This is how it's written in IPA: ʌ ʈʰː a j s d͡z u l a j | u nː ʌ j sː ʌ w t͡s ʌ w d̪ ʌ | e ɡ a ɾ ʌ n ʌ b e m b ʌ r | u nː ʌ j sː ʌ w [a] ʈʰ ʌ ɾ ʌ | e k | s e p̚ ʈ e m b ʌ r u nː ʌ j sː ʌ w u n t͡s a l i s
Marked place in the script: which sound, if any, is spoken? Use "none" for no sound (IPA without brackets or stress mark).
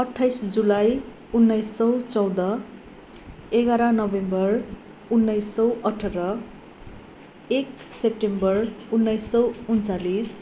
ʌ